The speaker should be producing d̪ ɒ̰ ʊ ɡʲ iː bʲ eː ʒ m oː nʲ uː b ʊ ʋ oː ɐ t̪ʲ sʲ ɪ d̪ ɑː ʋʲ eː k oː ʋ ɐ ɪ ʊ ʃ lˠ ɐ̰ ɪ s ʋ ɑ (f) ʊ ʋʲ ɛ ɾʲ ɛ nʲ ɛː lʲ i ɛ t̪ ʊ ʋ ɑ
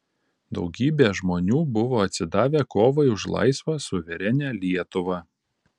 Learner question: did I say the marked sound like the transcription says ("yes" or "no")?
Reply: no